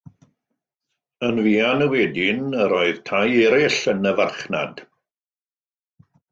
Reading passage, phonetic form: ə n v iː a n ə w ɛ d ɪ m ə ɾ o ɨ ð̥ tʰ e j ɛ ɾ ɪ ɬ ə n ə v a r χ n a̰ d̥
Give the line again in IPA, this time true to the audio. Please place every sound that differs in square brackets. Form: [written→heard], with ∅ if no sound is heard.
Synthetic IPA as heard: ə n v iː a n ə w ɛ d ɪ [m→n] ə ɾ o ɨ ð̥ tʰ [e→a] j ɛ ɾ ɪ ɬ ə n ə v a r χ n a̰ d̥